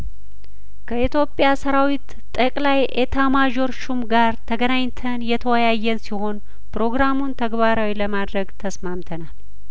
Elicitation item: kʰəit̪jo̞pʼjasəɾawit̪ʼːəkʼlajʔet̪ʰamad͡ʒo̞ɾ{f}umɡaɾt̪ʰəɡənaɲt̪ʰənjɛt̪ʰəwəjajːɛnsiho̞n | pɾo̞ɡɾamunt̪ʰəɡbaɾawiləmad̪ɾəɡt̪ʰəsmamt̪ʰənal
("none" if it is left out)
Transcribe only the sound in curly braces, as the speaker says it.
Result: ʃ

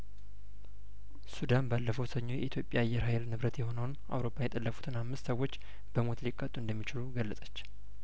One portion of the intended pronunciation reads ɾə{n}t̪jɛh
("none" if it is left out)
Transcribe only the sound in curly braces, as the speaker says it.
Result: none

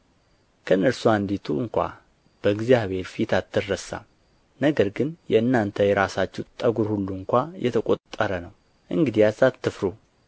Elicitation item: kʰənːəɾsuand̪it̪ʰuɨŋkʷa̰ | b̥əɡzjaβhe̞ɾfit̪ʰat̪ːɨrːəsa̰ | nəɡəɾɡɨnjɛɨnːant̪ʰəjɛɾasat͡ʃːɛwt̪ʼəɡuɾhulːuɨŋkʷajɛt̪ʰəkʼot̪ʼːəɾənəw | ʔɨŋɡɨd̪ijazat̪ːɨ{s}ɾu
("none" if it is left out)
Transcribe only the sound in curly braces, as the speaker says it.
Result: f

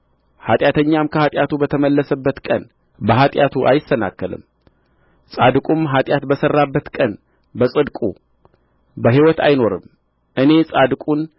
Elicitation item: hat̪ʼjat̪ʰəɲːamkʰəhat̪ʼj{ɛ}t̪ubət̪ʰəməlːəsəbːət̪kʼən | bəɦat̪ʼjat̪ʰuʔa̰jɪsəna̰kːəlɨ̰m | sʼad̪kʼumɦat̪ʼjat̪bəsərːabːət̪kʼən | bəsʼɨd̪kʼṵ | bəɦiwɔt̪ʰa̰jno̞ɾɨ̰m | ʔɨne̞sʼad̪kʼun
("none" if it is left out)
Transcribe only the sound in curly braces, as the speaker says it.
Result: a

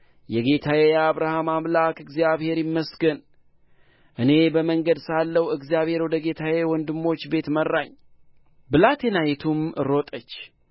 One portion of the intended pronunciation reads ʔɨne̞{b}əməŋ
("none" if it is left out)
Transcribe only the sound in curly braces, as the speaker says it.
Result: b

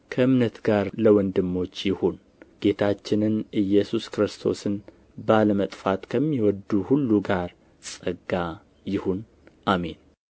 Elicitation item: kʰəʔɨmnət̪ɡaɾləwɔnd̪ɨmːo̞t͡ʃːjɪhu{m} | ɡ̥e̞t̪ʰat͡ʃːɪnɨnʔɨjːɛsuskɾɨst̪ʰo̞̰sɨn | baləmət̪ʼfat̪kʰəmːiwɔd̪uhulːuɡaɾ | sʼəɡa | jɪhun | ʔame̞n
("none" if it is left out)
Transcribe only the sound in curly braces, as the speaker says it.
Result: n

